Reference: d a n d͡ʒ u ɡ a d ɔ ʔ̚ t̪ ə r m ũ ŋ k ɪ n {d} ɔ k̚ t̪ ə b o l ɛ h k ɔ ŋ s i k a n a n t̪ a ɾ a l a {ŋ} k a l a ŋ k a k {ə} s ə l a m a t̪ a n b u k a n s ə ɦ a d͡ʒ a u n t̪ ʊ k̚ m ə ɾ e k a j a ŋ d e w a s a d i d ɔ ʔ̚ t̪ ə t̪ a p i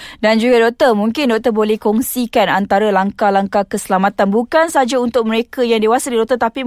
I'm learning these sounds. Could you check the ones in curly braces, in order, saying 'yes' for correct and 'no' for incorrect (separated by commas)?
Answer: yes, yes, yes